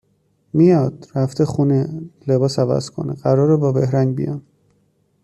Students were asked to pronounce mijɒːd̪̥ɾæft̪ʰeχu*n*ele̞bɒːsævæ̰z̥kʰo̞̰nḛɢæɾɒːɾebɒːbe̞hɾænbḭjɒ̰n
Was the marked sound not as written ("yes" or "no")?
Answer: no